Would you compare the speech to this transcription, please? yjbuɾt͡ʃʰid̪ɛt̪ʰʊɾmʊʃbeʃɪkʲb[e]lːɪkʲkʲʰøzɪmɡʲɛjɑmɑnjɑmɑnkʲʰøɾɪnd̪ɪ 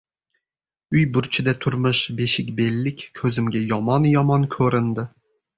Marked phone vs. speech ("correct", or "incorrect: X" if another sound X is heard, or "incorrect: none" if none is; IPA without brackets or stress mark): correct